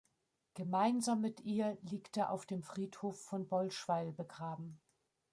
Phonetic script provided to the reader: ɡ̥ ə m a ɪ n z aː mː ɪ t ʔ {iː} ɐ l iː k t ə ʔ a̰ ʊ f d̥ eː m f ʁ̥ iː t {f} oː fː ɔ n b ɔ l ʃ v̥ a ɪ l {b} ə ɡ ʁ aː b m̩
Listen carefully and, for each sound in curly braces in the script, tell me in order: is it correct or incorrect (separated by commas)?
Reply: correct, incorrect, correct